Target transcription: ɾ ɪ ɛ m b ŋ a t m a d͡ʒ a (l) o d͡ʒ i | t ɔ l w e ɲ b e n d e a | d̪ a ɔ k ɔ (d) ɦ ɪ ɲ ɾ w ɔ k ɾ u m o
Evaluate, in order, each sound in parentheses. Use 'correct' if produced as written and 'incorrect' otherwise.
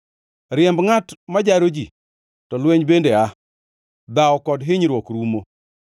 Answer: incorrect: ɾ, correct

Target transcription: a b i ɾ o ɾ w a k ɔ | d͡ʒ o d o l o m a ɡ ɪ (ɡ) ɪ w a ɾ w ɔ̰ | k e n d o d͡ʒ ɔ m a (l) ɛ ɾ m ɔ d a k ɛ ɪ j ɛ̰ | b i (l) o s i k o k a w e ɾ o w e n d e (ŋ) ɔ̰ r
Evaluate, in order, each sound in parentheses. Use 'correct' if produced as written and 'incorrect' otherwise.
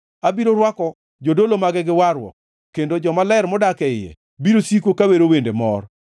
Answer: correct, correct, incorrect: ɾ, incorrect: m

